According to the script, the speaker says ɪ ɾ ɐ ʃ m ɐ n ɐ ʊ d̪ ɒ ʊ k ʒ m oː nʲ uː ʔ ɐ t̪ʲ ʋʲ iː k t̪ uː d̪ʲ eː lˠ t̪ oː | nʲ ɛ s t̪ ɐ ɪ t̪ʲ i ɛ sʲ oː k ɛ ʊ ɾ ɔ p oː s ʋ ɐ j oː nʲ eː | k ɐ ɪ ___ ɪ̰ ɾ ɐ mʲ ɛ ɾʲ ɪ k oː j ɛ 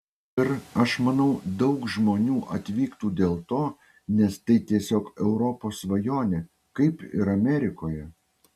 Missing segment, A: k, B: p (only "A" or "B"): B